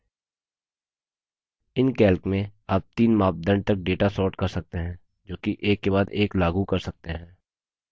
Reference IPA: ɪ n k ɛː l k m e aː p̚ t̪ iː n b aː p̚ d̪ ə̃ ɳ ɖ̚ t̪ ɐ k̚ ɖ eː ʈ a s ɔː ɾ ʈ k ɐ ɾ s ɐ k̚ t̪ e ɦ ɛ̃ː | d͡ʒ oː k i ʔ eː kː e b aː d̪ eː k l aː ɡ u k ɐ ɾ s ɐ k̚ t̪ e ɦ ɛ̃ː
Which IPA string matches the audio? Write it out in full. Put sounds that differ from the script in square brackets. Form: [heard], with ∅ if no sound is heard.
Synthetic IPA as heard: ɪ n k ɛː l k m [ẽ] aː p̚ t̪ iː n [m] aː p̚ d̪ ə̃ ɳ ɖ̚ t̪ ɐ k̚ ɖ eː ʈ a s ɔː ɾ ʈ k ɐ ɾ s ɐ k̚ t̪ e ɦ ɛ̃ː | d͡ʒ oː k i ʔ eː kː e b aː d̪ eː k l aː ɡ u k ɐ ɾ s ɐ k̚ t̪ e ɦ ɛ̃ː

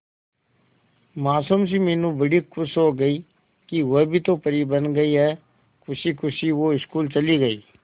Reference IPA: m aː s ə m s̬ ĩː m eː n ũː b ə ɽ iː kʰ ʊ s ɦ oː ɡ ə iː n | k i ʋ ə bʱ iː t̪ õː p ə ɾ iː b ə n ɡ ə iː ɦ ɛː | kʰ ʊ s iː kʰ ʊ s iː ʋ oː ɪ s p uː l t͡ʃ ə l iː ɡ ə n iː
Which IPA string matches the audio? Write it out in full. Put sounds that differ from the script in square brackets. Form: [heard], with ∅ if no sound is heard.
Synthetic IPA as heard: m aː s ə m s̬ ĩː m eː n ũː b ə ɽ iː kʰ ʊ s ɦ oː ɡ ə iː [∅] | k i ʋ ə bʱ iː t̪ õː p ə ɾ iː b ə n ɡ ə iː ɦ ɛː | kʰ ʊ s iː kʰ ʊ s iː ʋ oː ɪ s [k] uː l t͡ʃ ə l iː ɡ ə [∅] iː

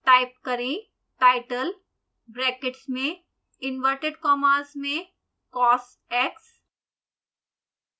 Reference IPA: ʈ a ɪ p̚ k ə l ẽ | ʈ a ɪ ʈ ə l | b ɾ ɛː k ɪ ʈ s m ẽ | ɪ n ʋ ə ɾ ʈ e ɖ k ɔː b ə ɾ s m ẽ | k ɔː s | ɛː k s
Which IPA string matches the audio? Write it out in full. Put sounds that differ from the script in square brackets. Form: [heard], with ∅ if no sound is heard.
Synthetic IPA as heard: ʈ a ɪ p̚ k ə [ɾ] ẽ | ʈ a ɪ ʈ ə l | b ɾ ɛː k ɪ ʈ s m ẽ | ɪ n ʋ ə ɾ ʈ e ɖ k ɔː [m] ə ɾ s m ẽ | k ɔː s | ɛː k s

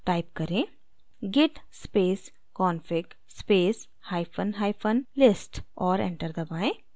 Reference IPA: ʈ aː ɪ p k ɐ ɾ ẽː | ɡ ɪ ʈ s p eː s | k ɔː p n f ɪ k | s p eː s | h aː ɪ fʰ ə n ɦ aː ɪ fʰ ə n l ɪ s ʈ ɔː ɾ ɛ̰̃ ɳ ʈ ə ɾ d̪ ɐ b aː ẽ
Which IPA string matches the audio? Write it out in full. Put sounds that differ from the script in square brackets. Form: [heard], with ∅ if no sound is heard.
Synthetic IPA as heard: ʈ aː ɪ p k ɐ ɾ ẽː | ɡ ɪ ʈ s p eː s | k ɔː [∅] n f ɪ k | s p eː s | h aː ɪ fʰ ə n ɦ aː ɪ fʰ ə n l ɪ s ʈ ɔː ɾ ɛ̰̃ ɳ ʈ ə ɾ d̪ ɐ b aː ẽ

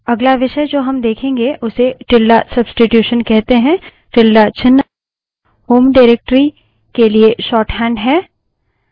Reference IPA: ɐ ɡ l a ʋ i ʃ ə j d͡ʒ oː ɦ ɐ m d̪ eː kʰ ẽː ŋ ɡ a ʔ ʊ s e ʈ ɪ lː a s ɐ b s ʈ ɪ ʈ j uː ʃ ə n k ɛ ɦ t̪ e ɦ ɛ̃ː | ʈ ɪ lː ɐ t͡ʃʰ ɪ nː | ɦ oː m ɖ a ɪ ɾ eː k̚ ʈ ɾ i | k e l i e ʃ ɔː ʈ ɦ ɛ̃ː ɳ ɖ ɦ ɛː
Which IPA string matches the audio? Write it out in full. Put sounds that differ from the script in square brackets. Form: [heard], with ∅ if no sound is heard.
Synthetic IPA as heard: ɐ ɡ l a ʋ [ɪ] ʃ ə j d͡ʒ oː ɦ ɐ m d̪ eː kʰ ẽː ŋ ɡ [e] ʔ ʊ s e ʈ ɪ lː a s ɐ b s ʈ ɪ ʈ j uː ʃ ə n k ɛ ɦ t̪ e ɦ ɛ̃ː | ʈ ɪ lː [a] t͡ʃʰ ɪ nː | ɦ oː m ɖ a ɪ ɾ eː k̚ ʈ ɾ i | k e l i e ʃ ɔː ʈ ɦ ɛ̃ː ɳ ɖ ɦ ɛː

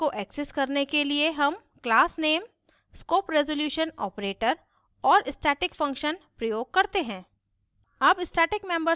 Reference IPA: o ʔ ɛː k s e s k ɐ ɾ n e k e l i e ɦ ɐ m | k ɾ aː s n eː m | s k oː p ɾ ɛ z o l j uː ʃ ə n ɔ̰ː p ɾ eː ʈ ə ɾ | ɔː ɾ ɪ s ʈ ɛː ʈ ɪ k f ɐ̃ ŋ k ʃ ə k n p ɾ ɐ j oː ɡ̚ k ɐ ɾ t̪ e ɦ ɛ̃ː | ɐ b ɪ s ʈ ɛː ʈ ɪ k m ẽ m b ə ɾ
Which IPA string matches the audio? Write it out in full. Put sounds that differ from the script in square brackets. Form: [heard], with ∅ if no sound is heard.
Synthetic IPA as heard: o ʔ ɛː k s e s k ɐ ɾ n e k e l i e ɦ ɐ m | k [l] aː s n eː m | s k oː p ɾ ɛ z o l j uː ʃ ə n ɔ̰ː p ɾ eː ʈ ə ɾ | ɔː ɾ ɪ s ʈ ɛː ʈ ɪ k f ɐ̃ ŋ k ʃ ə [∅] n p ɾ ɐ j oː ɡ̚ k ɐ ɾ t̪ e ɦ ɛ̃ː | ɐ b ɪ s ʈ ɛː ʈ ɪ k m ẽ m b ə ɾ

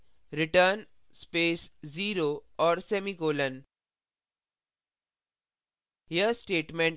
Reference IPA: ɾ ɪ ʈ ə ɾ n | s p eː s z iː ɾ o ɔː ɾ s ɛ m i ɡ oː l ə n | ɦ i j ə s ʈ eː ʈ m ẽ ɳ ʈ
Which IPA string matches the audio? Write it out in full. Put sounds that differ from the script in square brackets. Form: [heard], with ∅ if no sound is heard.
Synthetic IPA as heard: ɾ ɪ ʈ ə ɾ n | s p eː s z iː ɾ o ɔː ɾ s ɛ m i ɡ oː l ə n | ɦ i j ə s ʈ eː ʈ m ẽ ɳ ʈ

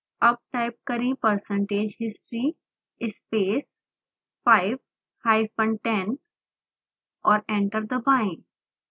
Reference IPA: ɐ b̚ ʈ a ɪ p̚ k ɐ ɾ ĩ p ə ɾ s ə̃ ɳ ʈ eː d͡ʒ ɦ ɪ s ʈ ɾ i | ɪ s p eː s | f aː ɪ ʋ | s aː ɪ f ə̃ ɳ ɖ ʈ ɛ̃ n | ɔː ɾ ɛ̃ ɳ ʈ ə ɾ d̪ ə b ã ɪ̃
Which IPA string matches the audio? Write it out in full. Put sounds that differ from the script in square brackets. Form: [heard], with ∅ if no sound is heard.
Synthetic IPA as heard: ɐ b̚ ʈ a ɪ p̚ k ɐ ɾ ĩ p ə ɾ s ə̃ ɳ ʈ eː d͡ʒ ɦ ɪ s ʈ ɾ i | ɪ s p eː s | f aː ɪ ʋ | [h] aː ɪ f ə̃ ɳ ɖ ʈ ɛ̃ n | ɔː ɾ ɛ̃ ɳ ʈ ə ɾ d̪ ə b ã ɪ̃

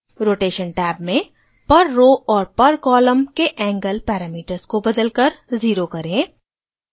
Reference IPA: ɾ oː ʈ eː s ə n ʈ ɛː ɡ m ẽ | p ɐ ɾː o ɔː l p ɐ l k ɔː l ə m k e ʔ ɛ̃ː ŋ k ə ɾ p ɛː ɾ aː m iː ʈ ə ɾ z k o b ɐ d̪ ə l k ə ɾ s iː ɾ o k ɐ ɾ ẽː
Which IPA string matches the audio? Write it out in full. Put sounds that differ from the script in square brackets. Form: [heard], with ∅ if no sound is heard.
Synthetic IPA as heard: ɾ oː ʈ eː [ʃ] ə n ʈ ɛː [b] m ẽ | p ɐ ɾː o ɔː [ɾ] p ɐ [ɾ] k ɔː l ə m k e ʔ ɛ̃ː ŋ [ɡ] ə [l] p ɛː ɾ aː m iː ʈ ə ɾ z k o b ɐ d̪ ə l k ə ɾ [z] iː ɾ o k ɐ ɾ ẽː

